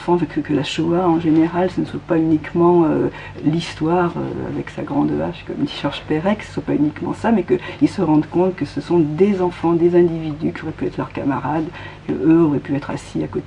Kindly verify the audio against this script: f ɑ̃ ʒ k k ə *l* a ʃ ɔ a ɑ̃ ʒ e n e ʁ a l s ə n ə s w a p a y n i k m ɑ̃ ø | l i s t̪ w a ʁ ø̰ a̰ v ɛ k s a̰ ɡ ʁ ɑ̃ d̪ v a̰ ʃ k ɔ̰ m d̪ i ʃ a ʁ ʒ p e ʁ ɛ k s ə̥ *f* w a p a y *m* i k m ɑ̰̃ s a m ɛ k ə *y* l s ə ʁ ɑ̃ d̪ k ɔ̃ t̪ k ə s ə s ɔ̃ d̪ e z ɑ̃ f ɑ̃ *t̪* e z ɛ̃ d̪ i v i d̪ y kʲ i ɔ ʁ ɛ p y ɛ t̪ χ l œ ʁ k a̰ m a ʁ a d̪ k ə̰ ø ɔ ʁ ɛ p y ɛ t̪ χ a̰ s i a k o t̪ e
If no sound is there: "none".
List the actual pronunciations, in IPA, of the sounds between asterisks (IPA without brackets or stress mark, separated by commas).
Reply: l, s, n, i, d̪